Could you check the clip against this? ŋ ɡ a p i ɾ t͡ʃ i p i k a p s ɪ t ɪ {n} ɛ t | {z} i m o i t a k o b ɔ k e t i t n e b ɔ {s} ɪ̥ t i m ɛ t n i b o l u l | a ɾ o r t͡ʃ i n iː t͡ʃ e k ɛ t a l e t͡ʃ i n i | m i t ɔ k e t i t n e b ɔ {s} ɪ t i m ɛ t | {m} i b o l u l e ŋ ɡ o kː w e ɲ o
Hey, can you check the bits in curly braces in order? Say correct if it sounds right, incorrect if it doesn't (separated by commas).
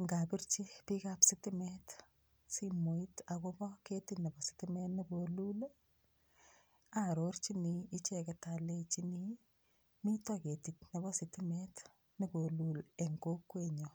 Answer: incorrect, incorrect, correct, correct, incorrect